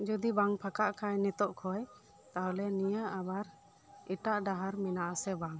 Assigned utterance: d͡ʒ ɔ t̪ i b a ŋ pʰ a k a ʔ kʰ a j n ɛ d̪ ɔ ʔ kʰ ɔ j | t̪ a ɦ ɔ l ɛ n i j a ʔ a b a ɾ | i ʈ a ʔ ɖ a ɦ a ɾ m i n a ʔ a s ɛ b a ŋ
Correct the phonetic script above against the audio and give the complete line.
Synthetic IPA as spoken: d͡ʒ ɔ d̪ i b a ŋ pʰ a k a ʔ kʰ a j n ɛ t̪ ɔ ʔ kʰ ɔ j | t̪ a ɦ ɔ l ɛ n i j a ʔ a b a ɾ | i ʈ a ʔ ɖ a ɦ a ɾ m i n a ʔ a s ɛ b a ŋ